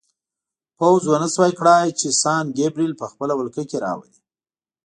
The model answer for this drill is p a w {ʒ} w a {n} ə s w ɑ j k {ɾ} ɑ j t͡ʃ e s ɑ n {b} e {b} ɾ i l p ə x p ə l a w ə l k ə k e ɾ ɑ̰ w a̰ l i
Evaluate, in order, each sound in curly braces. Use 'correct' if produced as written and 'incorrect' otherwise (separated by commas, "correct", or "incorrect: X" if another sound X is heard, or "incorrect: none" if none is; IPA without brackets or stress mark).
incorrect: z, correct, incorrect: ɽ, incorrect: ɡ, correct